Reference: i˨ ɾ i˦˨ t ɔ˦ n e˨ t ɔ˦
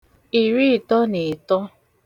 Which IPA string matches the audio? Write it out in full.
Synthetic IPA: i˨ ɾ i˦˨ t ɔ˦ n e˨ t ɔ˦